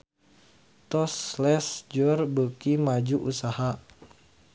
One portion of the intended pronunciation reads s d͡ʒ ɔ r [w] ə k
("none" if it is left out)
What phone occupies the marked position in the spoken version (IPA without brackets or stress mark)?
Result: b